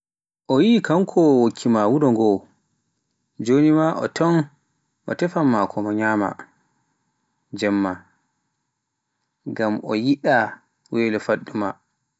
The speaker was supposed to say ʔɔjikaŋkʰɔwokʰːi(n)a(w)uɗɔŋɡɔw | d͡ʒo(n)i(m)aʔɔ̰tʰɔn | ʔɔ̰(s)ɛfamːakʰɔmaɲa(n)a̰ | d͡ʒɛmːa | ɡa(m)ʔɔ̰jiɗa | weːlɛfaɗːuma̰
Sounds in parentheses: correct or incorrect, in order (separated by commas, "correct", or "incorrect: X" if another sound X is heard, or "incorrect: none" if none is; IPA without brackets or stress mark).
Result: incorrect: m, correct, correct, correct, incorrect: t, incorrect: m, correct